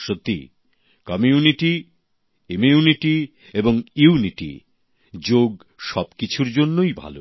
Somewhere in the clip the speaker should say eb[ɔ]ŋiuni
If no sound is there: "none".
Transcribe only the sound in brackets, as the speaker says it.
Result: o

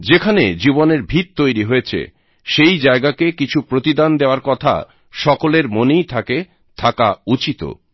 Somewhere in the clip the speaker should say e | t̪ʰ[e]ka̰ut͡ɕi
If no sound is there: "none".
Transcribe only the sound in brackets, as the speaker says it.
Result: a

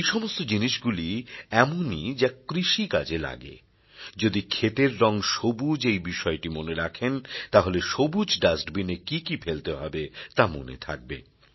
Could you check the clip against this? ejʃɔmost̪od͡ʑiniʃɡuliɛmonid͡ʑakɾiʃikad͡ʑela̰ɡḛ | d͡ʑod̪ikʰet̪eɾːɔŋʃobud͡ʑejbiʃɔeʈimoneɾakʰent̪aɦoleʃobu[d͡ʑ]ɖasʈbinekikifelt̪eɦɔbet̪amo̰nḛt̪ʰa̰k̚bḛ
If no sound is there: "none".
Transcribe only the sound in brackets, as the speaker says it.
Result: d͡ʑ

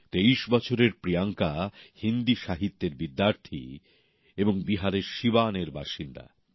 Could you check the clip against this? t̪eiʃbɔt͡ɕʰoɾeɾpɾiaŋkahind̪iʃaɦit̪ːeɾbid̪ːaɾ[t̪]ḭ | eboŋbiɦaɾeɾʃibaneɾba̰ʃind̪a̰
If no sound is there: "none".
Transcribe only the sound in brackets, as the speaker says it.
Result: t̪ʰ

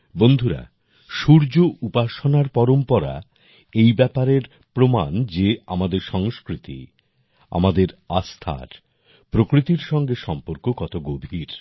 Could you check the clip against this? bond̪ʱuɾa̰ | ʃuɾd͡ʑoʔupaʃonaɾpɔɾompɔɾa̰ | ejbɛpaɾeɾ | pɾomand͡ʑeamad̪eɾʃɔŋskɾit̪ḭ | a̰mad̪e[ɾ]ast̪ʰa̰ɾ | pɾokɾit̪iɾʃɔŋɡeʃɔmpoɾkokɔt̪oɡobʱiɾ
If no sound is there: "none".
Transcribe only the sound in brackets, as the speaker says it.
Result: ɾ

